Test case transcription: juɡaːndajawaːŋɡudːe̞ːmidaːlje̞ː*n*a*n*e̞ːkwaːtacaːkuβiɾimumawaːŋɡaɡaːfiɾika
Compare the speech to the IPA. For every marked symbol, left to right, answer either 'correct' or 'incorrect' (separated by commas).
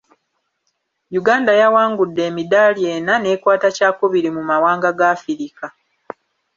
correct, correct